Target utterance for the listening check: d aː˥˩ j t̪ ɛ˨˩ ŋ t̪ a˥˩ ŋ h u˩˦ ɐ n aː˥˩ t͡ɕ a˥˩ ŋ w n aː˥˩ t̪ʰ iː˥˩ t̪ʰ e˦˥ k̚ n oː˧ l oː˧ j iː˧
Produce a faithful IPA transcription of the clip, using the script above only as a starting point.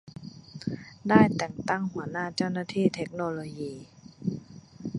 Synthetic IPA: d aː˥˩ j t̪ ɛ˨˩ ŋ t̪ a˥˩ ŋ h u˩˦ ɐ n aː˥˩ t͡ɕ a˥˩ w n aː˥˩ t̪ʰ iː˥˩ t̪ʰ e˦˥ k̚ n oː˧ l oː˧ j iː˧